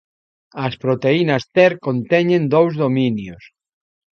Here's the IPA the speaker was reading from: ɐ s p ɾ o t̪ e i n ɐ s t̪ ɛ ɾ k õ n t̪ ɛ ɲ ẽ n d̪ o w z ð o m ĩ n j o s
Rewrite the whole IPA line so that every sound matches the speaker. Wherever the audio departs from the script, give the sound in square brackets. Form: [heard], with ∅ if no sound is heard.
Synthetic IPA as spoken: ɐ s p ɾ o t̪ e i n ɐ s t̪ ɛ ɾ k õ n t̪ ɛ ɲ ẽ n d̪ o w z ð o m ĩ n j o s